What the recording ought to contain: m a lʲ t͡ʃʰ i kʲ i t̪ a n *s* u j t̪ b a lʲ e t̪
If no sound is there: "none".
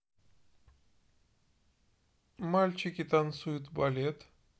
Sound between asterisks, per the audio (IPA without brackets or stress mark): s